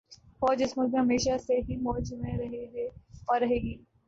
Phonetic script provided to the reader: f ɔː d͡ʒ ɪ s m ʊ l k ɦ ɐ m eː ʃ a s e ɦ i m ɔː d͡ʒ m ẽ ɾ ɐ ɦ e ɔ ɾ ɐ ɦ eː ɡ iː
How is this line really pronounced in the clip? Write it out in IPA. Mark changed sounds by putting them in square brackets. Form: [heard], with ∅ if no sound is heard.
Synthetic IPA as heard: f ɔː d͡ʒ ɪ s m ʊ l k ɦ ɐ m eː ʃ a s e ɦ i m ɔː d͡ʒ m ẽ ɾ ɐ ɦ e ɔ ɾ ɐ ɦ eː ɡ iː

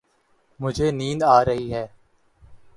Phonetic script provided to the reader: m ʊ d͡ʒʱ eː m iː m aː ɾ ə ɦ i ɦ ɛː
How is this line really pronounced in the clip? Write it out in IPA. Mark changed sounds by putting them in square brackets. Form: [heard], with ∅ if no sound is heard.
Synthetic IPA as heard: m ʊ d͡ʒʱ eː [n] iː [n] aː ɾ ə ɦ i ɦ ɛː

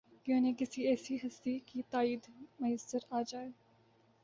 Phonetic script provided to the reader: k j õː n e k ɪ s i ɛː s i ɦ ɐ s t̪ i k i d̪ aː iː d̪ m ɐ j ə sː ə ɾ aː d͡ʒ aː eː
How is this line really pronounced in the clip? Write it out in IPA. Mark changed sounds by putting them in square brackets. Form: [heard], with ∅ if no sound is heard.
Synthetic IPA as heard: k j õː n e k ɪ s i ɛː s i ɦ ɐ s t̪ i k i [t̪] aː iː d̪ m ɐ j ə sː ə ɾ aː d͡ʒ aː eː

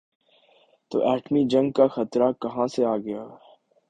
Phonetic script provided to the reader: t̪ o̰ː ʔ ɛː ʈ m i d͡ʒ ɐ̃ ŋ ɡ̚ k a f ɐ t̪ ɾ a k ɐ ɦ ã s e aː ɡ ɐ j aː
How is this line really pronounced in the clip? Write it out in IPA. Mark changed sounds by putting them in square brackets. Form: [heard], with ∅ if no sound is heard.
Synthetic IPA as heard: t̪ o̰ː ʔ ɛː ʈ m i d͡ʒ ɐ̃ ŋ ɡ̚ k a [x] ɐ t̪ ɾ a k ɐ ɦ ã s e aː ɡ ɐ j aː

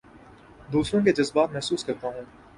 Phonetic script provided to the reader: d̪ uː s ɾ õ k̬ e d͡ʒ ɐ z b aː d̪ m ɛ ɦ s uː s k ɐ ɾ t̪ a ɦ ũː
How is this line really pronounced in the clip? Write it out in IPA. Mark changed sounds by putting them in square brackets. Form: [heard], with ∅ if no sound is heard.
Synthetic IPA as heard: d̪ uː s ɾ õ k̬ e d͡ʒ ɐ z b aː [t̪] m ɛ ɦ s uː s k ɐ ɾ t̪ a ɦ ũː

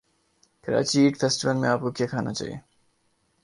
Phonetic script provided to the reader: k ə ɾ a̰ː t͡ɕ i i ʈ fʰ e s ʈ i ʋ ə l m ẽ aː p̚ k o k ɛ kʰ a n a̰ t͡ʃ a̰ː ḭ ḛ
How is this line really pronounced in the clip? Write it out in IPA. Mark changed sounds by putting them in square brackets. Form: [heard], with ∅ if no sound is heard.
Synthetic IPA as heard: k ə ɾ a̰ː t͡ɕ i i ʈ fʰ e s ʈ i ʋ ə l m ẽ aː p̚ k o k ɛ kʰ a n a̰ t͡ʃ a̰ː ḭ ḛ

